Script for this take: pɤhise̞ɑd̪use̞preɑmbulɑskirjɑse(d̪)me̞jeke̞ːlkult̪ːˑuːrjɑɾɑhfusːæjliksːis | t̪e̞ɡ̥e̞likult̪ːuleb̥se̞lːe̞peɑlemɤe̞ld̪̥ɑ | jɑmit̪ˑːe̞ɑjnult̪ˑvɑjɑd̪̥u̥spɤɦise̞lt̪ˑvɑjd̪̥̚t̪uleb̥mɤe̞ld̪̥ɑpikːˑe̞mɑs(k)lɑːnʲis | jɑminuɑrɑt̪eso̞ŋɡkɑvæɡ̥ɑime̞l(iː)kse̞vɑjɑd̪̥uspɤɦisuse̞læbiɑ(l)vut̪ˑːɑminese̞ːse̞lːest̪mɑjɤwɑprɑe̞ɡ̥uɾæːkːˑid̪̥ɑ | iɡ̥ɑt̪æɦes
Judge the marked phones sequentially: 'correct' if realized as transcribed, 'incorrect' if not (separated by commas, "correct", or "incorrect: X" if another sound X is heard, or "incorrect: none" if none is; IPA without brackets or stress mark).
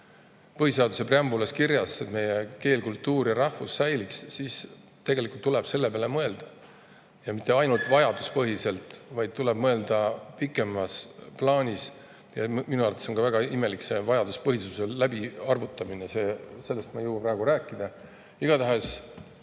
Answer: incorrect: t̪, incorrect: p, incorrect: i, incorrect: r